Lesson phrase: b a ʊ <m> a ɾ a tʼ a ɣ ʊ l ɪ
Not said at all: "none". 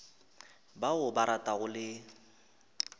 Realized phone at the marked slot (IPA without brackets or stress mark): b